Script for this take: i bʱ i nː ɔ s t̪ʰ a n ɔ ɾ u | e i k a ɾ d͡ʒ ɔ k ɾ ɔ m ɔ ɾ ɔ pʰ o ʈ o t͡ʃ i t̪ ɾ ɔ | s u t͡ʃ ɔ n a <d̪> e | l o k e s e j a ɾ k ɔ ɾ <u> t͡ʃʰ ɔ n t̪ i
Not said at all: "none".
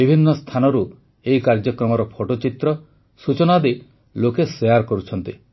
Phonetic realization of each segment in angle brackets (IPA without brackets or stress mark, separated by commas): d̪, u